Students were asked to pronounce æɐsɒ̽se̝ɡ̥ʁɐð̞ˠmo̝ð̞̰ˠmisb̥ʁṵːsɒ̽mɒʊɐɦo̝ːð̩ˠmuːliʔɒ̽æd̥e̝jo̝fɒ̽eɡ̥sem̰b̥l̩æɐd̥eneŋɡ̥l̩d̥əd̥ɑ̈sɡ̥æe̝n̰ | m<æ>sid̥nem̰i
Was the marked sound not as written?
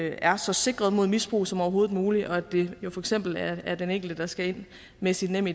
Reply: yes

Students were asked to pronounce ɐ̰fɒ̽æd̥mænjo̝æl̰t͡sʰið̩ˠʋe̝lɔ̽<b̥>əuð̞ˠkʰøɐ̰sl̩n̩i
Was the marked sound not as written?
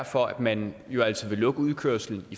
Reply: yes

